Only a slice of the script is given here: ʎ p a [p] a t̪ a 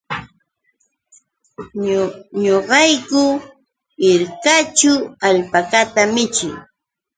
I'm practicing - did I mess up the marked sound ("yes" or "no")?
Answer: yes